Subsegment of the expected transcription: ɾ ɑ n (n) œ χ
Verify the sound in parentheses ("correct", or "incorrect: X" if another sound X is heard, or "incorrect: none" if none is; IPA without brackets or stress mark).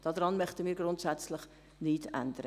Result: incorrect: m